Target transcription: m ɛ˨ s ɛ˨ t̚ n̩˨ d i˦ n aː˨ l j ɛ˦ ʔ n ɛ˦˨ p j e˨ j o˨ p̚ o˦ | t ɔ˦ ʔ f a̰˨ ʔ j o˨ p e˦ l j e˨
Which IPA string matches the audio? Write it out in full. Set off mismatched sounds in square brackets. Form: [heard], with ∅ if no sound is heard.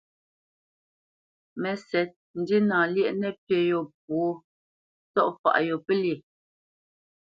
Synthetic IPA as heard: m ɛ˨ s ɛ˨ t̚ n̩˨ d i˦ n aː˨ l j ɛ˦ ʔ n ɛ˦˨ p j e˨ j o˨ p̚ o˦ | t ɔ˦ ʔ f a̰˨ ʔ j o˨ p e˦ l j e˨